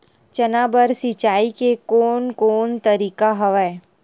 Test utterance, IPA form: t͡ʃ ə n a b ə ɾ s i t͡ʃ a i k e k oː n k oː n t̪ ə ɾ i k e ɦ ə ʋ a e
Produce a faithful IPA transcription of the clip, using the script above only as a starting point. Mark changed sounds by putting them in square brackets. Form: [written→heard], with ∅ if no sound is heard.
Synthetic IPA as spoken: t͡ʃ ə n a b ə ɾ s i t͡ʃ a i k e k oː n k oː n t̪ ə ɾ i k [e→a] ɦ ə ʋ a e